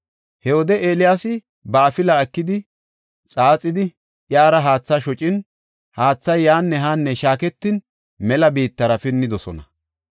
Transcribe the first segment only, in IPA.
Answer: h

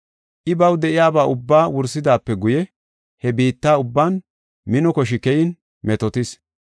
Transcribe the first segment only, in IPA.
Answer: ʔ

